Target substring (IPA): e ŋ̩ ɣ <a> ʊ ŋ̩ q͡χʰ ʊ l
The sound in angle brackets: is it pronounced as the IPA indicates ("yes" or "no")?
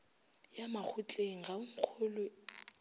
yes